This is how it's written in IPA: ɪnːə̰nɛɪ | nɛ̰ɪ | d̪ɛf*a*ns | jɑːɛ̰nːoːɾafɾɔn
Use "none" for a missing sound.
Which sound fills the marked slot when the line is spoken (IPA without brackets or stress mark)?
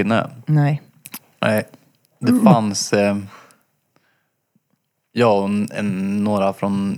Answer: a